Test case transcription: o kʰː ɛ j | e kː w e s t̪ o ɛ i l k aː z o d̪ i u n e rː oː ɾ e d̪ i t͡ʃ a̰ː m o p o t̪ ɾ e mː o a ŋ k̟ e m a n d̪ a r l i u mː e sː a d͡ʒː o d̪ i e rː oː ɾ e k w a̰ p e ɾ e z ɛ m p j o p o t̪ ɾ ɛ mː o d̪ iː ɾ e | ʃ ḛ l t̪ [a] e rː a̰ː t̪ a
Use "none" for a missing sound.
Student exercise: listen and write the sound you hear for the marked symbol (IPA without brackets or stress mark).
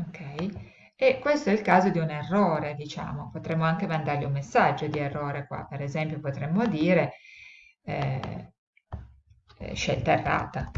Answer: a